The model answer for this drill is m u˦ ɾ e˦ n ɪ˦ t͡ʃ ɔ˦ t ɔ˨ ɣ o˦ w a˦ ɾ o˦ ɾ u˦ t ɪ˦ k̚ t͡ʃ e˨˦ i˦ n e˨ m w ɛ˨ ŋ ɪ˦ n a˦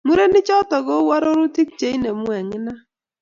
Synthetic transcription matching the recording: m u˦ ɾ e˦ n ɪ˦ t͡ʃ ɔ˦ t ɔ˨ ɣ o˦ w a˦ ɾ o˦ ɾ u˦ t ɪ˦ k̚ t͡ʃ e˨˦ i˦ n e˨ m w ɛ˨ ŋ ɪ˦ n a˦